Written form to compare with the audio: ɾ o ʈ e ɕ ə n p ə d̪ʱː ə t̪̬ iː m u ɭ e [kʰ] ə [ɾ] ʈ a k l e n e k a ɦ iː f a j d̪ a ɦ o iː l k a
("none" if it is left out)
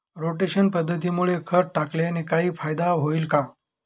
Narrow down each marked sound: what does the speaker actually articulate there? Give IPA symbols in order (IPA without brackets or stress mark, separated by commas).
kʰ, ɾ